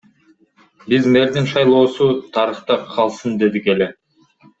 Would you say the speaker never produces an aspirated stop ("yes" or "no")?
no